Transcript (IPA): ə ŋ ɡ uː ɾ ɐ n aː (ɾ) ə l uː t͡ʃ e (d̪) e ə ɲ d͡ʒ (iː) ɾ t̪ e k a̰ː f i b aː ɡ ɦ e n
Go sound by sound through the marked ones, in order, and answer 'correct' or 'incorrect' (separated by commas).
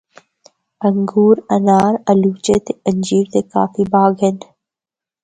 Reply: correct, incorrect, correct